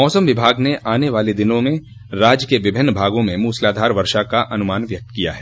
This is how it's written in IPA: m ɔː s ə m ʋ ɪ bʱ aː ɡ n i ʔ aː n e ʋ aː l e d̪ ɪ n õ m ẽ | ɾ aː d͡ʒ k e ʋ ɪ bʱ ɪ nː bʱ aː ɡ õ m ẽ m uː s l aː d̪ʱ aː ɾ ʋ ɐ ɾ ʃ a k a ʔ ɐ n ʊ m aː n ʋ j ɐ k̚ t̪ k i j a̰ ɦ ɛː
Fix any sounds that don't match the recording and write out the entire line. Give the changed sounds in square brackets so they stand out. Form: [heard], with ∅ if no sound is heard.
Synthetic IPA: m ɔː s ə m ʋ ɪ bʱ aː ɡ n [e] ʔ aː n e ʋ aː l e d̪ ɪ n õ m ẽ | ɾ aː d͡ʒ k e ʋ ɪ bʱ ɪ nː bʱ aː ɡ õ m ẽ m uː s l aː d̪ʱ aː ɾ ʋ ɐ ɾ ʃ a k a ʔ ɐ n ʊ m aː n ʋ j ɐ k̚ t̪ k i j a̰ ɦ ɛː